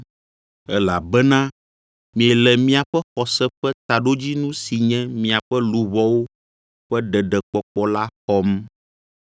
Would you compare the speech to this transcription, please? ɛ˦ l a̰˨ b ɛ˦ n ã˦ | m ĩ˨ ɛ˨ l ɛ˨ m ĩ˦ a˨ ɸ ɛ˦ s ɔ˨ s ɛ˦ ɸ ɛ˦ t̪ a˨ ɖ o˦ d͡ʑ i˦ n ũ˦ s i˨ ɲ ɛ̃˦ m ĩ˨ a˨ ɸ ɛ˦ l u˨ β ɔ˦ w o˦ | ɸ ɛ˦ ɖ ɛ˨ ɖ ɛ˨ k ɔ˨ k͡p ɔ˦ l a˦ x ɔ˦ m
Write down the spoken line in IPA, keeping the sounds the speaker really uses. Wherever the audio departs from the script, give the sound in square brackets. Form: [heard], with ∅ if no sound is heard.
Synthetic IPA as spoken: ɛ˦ l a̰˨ b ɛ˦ n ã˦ | m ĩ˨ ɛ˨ l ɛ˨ m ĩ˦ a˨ ɸ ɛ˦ [x] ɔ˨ s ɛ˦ ɸ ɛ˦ t̪ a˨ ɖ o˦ d͡ʑ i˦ n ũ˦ s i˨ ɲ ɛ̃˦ m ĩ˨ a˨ ɸ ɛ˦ l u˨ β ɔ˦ w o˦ | ɸ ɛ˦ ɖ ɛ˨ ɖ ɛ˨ [k͡p] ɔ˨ k͡p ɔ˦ l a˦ x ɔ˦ m